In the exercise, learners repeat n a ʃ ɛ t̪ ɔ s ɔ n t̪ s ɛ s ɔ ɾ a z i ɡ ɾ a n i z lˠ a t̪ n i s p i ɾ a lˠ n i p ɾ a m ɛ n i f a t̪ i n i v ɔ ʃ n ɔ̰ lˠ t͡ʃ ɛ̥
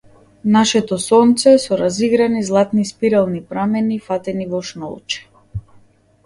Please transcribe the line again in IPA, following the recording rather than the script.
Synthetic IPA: n a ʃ ɛ t̪ ɔ s ɔ n t̪ s ɛ s ɔ ɾ a z i ɡ ɾ a n i z lˠ a t̪ n i s p i ɾ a lˠ n i p ɾ a m ɛ n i f a t̪ ɛ n i v ɔ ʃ n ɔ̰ lˠ t͡ʃ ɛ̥